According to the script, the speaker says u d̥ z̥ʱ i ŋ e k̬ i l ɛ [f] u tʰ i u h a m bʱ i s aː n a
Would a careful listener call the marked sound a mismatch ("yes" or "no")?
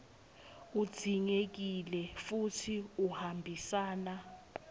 no